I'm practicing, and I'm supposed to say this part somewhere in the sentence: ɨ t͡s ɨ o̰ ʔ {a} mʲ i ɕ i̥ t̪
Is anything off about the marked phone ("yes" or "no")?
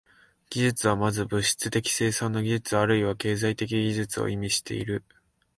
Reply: yes